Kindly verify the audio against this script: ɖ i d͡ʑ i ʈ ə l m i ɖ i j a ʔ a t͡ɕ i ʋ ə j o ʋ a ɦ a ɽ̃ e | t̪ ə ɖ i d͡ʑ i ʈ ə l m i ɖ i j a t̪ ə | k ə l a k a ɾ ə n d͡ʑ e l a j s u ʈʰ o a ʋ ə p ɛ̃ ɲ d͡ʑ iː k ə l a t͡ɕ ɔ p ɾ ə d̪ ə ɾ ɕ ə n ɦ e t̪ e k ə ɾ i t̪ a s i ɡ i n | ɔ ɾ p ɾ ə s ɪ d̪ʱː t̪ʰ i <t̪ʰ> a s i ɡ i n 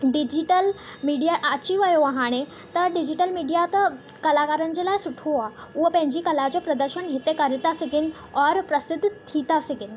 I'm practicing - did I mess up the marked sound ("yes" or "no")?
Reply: yes